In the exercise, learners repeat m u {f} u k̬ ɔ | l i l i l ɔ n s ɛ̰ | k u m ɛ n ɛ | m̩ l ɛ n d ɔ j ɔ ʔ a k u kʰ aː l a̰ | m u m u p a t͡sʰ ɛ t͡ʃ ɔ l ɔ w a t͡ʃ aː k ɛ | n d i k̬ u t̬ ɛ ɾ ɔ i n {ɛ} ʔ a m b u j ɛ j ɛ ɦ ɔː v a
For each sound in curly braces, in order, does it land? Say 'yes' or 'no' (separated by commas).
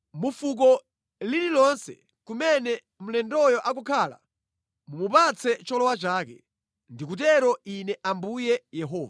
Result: yes, yes